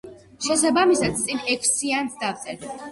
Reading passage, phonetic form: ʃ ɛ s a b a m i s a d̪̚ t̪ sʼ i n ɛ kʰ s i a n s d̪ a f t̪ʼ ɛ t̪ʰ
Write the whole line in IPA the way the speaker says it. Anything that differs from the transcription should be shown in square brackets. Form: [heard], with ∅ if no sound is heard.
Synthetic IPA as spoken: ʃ ɛ s a b a m i s a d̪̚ t̪ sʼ i n ɛ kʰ s i a n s d̪ a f t̪ʼ ɛ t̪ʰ